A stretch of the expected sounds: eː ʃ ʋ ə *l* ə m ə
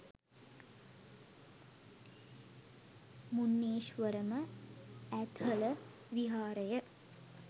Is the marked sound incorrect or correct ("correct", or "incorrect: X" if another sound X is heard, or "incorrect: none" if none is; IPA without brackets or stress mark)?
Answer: incorrect: ɾ